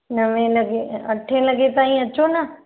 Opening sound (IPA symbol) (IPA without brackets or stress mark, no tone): n